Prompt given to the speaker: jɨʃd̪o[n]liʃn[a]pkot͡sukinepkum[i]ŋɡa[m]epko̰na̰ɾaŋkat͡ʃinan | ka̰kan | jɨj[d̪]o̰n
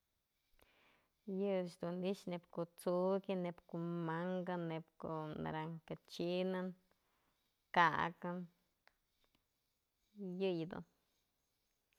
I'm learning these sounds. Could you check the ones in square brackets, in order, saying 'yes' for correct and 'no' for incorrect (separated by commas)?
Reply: yes, no, no, no, yes